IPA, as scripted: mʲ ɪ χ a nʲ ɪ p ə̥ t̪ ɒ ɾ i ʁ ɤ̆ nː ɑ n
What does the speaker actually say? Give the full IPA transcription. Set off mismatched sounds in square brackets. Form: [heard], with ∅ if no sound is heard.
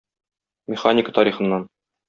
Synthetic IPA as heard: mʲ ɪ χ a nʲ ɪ [k] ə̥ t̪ ɒ ɾ i [χ] ɤ̆ nː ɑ n